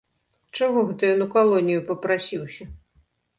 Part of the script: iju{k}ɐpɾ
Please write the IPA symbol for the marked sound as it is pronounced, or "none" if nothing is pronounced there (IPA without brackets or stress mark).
p